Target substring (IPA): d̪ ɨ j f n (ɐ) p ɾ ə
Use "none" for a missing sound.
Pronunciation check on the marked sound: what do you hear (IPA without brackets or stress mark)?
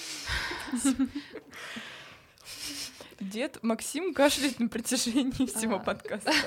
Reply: ə